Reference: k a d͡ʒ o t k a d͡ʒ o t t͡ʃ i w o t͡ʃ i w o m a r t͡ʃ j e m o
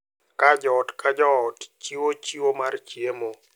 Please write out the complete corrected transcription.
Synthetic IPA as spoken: k a d͡ʒ ɔ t k a d͡ʒ ɔ t t͡ʃ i w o t͡ʃ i w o m a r t͡ʃ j e m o

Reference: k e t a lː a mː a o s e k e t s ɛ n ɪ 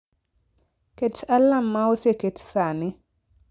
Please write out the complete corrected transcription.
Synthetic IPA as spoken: k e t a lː a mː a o s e k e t s a n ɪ

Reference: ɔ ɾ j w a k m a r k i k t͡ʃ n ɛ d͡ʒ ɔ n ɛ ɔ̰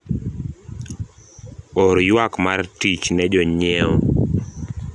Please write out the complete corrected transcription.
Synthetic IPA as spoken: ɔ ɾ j w a k m a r t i t͡ʃ n ɛ d͡ʒ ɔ ɲ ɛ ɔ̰

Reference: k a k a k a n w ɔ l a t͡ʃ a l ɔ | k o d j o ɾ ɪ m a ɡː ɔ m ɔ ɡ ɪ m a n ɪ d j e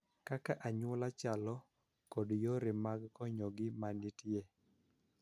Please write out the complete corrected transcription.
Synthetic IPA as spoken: k a k a ʔ a ɲ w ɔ l a t͡ʃ a l ɔ | k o d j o ɾ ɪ m a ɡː ɔ ɲ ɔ ɡ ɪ m a n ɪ t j e

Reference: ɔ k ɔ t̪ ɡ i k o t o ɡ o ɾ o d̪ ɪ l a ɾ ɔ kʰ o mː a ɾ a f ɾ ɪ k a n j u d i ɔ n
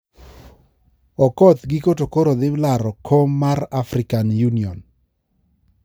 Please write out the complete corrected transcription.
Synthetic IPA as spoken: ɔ k ɔ t̪ ɡ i k o t o k o ɾ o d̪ ɪ l a ɾ ɔ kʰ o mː a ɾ a f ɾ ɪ k a n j u n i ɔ n

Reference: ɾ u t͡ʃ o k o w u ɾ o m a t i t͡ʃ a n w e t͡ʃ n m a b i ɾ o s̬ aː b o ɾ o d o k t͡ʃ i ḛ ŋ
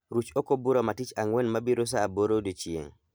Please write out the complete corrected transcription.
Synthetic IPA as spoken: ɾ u t͡ʃ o k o b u ɾ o m a t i t͡ʃ a ŋ w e n m a b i ɾ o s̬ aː b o ɾ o d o t͡ʃ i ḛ ŋ

